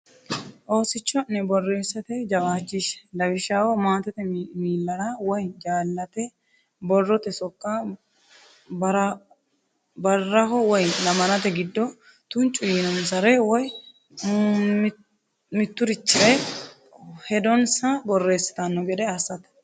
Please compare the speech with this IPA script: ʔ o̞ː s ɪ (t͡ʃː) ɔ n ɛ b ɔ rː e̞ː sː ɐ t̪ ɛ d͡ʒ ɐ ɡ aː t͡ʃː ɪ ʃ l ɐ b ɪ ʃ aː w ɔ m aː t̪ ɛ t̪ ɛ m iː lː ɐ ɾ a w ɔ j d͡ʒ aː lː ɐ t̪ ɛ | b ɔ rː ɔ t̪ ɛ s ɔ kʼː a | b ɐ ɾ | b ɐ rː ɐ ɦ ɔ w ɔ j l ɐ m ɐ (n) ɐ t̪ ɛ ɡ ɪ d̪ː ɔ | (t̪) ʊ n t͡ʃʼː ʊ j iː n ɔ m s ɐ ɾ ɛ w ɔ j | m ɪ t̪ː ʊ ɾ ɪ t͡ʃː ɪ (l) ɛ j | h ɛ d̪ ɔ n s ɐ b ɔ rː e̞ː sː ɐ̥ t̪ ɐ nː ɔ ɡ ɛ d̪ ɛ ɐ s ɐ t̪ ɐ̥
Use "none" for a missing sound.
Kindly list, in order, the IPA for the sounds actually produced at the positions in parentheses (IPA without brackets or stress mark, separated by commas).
t͡ʃː, n, t̪, ɾ